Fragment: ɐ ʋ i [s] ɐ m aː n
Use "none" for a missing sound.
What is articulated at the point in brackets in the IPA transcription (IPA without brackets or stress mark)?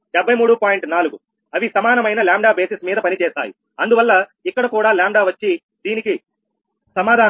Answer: s